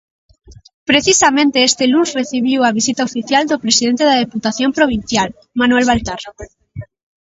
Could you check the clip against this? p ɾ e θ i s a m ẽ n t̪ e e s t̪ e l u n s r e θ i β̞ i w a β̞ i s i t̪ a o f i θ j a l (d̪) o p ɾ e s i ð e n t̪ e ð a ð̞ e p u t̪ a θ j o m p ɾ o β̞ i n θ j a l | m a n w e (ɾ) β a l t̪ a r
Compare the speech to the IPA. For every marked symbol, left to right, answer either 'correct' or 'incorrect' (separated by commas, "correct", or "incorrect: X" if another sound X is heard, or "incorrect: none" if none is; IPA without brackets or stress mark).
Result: correct, incorrect: l